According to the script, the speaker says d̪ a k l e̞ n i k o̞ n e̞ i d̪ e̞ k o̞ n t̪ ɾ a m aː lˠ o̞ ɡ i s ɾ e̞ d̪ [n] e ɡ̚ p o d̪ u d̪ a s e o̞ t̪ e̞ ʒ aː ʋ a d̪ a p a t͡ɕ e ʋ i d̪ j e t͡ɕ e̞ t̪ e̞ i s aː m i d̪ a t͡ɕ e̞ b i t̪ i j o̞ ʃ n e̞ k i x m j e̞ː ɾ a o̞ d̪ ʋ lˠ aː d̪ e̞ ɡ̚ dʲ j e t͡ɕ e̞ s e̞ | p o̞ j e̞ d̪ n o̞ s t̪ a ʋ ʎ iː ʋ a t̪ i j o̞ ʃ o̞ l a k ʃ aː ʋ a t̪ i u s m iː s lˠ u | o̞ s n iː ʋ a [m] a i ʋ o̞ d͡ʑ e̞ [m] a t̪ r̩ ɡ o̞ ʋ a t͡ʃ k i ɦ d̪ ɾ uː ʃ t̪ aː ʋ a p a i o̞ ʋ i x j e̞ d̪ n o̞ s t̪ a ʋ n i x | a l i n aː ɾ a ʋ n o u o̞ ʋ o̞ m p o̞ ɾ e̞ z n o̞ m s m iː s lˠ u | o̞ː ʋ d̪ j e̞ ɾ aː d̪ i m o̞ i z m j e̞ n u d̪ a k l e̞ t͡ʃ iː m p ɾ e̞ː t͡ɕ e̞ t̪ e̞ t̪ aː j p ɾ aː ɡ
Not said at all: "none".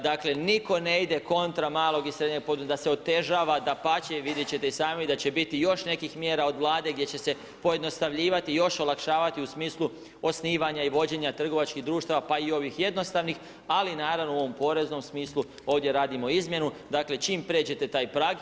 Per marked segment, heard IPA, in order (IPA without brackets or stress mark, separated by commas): ɲ, ɲ, ɲ